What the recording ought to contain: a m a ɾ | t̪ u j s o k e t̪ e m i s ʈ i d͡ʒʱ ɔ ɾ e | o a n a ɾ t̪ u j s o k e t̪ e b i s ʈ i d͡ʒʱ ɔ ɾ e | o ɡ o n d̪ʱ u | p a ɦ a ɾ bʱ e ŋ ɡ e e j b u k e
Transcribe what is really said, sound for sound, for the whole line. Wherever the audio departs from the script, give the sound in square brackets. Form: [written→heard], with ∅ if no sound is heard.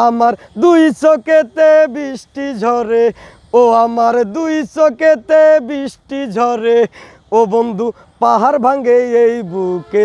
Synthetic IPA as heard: a m a ɾ | [t̪→d̪] u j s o k e t̪ e [m→b] i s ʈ i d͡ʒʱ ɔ ɾ e | o a [n→m] a ɾ [t̪→d̪] u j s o k e t̪ e b i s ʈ i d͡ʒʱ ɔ ɾ e | o [ɡ→b] o n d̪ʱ u | p a ɦ a ɾ bʱ [e→a] ŋ ɡ e e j b u k e